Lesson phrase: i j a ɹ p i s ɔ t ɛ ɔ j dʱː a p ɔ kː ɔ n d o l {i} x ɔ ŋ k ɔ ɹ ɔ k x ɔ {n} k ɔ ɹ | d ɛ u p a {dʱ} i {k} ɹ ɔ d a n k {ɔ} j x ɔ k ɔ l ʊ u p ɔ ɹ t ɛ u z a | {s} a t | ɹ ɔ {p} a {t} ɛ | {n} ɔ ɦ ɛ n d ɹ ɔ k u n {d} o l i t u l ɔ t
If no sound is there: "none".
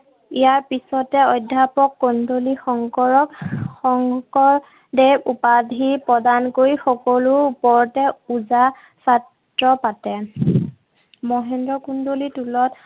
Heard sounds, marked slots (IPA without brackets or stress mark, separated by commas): i, ŋ, dʱ, p, o, s, p, t, m, d